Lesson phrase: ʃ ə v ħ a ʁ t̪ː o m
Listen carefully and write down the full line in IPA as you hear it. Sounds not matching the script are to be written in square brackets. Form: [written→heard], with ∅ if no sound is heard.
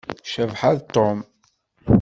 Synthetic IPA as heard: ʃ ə v ħ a [ʁ→ð] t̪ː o m